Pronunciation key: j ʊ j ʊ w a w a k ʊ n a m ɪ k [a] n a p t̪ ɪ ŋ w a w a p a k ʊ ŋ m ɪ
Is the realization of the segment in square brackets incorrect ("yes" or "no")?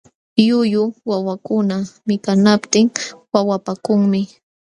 no